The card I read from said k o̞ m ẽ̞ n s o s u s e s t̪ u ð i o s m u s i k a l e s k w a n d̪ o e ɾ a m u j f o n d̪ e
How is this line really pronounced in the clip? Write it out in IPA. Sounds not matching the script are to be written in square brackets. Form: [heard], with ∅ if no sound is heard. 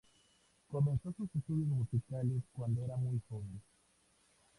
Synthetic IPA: k o̞ m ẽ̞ n s o s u s e s t̪ u ð [j] o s m u s i k a l e s k w a n d̪ o e ɾ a m u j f o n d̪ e